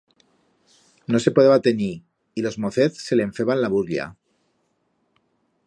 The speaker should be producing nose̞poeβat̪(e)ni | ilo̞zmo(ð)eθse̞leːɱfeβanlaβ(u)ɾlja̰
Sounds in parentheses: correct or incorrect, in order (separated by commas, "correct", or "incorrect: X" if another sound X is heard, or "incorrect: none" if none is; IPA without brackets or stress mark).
correct, incorrect: θ, correct